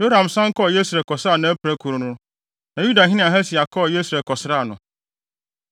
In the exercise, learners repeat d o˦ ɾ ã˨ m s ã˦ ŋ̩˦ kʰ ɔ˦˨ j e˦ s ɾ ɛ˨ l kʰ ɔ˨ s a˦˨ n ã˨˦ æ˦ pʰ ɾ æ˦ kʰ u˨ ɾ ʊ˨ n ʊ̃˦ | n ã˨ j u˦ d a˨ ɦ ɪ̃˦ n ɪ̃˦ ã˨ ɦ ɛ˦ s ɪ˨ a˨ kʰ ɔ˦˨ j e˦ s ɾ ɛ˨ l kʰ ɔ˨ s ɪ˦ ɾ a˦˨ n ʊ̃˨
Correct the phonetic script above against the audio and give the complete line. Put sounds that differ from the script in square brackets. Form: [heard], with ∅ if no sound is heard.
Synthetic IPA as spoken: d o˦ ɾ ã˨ m s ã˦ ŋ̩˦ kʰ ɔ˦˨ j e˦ s ɾ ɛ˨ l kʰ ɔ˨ s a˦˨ n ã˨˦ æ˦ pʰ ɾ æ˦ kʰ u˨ ɾ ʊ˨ n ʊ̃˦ | n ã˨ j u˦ d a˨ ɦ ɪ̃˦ n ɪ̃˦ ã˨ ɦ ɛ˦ s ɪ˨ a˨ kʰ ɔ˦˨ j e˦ s ɾ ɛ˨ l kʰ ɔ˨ s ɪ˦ ɾ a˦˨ n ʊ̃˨